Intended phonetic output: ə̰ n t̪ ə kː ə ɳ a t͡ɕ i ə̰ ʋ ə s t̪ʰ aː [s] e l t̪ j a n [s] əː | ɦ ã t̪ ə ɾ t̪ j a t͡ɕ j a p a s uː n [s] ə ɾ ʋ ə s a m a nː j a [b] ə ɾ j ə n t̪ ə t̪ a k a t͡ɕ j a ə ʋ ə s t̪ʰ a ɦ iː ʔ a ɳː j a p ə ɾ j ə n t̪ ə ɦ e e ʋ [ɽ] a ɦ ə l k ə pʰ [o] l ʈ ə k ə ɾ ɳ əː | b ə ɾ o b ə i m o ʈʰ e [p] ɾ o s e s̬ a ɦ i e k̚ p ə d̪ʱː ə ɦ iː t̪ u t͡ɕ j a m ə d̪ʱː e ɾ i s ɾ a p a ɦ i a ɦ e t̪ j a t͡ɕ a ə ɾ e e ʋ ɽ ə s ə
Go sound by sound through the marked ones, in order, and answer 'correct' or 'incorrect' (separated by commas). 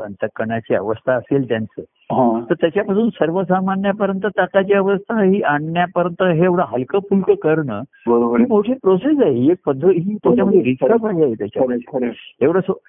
correct, incorrect, correct, incorrect, correct, incorrect, correct